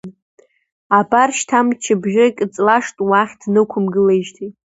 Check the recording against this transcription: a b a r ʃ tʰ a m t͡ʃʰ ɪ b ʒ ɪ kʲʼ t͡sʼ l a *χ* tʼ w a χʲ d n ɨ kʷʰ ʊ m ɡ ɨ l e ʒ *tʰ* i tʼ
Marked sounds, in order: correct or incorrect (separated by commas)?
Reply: incorrect, correct